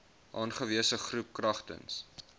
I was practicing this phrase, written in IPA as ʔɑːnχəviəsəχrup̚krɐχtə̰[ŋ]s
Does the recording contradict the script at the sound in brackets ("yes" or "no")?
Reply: yes